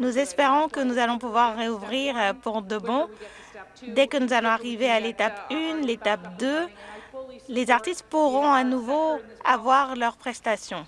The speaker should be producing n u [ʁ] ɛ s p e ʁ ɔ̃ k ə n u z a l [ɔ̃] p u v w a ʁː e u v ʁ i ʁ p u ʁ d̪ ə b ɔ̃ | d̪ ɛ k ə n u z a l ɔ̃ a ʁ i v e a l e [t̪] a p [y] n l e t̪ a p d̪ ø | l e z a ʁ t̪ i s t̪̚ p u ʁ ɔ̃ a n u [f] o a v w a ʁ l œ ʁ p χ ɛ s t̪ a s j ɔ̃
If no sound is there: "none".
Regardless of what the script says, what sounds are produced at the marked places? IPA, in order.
z, ɔ̃, t̪, y, v

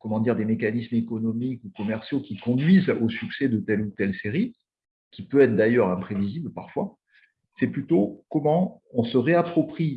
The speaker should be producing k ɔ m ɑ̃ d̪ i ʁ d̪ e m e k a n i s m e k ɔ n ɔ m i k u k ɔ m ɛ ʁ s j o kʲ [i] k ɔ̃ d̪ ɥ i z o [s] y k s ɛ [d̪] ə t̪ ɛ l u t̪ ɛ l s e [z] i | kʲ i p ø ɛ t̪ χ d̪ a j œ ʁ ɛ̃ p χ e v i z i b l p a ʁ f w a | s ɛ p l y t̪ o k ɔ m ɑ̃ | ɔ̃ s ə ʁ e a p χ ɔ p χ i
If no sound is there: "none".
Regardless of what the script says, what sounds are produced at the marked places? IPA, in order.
i, s, d̪, ʁ

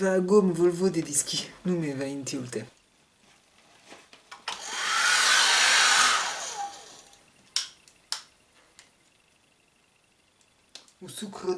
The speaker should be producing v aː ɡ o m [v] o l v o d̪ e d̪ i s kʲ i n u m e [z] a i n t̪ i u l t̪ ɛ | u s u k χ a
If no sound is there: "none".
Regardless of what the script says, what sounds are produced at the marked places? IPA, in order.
v, v

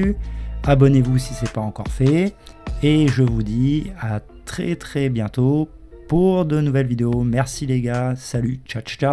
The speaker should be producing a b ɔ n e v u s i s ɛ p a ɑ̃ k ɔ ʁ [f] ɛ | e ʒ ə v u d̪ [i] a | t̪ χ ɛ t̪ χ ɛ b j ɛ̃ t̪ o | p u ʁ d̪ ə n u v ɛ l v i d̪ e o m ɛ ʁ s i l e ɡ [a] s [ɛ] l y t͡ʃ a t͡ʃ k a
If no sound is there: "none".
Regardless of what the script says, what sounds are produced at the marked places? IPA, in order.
f, i, a, a

